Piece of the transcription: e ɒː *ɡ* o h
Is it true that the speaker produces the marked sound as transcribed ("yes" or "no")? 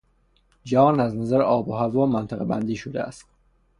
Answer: no